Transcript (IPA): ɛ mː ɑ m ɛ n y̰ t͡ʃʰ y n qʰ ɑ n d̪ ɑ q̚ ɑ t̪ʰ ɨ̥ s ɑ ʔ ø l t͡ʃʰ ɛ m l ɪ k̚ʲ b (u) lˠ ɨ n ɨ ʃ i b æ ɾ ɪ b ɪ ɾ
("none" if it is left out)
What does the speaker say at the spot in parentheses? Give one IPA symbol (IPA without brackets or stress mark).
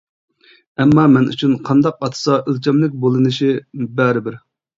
o